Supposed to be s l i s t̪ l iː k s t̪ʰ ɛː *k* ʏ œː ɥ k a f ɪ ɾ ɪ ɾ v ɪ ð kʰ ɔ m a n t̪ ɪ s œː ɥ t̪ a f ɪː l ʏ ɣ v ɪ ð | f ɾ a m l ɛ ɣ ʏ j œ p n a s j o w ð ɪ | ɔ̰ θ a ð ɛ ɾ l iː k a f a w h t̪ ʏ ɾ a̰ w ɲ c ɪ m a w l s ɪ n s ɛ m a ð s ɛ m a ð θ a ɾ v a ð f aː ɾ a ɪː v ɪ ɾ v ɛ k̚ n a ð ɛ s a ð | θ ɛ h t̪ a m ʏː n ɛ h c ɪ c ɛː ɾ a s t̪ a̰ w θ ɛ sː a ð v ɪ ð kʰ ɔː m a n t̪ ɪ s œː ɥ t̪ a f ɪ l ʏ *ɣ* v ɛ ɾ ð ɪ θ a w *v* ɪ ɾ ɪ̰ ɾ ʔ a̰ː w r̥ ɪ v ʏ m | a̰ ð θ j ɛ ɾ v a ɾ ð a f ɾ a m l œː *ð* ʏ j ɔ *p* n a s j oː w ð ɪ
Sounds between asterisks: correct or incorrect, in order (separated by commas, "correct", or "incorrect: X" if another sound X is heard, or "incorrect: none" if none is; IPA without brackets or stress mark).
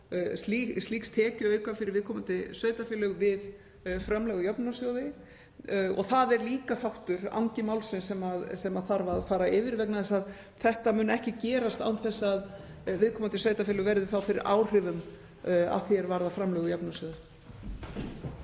incorrect: c, correct, incorrect: f, incorrect: ɣ, correct